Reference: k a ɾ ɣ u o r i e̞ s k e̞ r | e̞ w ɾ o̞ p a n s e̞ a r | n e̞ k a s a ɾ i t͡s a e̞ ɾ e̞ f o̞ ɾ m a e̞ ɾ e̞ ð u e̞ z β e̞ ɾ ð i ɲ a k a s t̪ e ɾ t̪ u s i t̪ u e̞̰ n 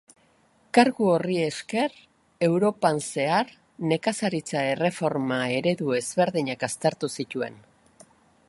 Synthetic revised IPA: k a ɾ ɣ u o r i e̞ s k e̞ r | e̞ w ɾ o̞ p a n s e̞ a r | n e̞ k a s a ɾ i t͡s a e̞ r e̞ f o̞ ɾ m a e̞ ɾ e̞ ð u e̞ z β e̞ ɾ ð i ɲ a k a s t̪ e ɾ t̪ u s i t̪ u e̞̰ n